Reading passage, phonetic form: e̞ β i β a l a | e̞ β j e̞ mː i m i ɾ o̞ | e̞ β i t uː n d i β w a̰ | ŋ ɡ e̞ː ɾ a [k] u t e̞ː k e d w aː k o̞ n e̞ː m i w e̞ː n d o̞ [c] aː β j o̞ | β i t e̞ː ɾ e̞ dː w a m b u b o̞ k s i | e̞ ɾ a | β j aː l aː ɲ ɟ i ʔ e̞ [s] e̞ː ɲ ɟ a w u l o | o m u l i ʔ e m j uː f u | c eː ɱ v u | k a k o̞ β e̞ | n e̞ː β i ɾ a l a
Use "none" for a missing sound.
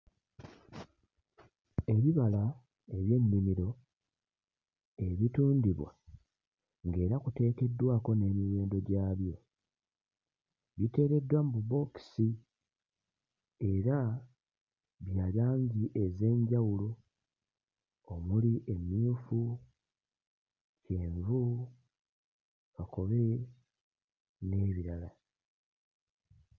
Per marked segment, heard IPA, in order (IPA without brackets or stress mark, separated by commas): k, ɟ, z